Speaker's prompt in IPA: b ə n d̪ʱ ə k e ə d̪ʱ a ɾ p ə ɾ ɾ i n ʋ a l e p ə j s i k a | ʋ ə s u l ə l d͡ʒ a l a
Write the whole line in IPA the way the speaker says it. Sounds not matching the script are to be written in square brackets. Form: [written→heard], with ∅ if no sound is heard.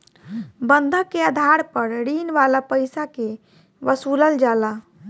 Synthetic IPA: b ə n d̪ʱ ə k e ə d̪ʱ a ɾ p ə ɾ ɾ i n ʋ a l [e→a] p ə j s [i→a] k [a→e] | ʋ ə s u l ə l d͡ʒ a l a